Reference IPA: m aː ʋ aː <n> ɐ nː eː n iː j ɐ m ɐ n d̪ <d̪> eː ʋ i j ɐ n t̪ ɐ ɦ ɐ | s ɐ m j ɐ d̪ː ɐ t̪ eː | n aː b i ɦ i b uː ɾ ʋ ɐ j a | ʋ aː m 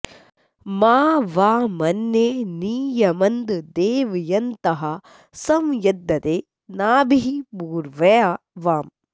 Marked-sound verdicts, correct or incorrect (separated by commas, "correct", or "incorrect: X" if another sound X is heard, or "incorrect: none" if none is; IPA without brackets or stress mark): incorrect: m, correct